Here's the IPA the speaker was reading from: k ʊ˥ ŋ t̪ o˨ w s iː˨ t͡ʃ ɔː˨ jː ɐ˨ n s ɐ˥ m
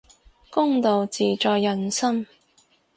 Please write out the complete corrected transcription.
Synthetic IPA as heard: k ʊ˥ ŋ t̪ o˨ w t͡s iː˨ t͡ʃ ɔː˨ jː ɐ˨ n s ɐ˥ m